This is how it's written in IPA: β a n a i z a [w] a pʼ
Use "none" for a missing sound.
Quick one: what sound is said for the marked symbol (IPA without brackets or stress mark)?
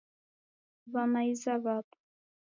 β